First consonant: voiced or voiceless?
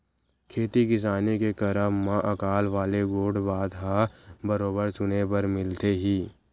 voiceless